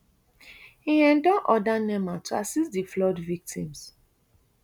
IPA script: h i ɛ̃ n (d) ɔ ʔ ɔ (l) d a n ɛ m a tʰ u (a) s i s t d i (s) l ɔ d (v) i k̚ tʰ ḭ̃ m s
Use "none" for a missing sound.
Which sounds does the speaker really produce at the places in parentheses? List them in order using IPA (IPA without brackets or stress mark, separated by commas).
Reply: d, none, a, f, v